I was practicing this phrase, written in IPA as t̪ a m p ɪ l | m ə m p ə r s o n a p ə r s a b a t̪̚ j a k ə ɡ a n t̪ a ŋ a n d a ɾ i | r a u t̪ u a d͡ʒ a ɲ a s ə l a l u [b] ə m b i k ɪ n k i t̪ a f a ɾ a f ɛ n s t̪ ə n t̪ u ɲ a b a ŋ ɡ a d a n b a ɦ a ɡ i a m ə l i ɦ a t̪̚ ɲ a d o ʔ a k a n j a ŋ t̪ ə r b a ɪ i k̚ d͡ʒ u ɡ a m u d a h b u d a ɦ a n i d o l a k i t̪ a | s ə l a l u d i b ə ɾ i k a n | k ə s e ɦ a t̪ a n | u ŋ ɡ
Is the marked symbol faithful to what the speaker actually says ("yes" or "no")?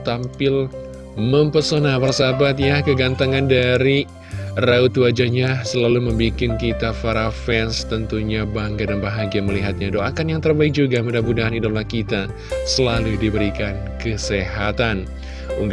no